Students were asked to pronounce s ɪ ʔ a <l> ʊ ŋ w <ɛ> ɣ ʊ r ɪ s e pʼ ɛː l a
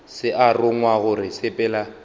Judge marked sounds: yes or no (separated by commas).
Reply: no, no